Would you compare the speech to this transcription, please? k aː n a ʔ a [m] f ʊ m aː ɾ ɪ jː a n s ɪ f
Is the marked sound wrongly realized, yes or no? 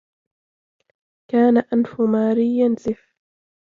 yes